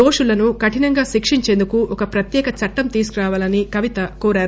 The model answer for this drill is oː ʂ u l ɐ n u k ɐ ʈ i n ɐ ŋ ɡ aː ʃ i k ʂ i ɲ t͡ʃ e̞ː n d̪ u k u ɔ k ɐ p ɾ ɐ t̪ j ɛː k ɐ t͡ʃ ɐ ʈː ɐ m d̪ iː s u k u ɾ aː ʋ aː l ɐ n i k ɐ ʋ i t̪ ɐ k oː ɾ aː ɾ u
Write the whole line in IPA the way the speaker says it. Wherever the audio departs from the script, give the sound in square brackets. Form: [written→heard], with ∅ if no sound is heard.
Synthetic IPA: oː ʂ u l ɐ n u k ɐ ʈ i n ɐ ŋ ɡ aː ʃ i k ʂ i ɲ t͡ʃ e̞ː n d̪ u k u ɔ k ɐ p ɾ ɐ t̪ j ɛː k ɐ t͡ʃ ɐ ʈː ɐ m [d̪→t̪] iː s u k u ɾ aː ʋ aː l ɐ n i k ɐ ʋ i t̪ ɐ k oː ɾ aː ɾ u